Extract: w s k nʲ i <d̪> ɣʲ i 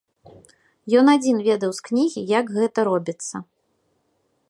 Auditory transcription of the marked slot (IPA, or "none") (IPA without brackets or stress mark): none